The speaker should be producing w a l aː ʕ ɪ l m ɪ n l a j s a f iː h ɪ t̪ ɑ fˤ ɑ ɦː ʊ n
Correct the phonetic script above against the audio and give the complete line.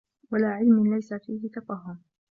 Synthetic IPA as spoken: w a l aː ʕ ɪ l m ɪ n l a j s a f iː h ɪ t̪ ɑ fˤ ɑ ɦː ʊ m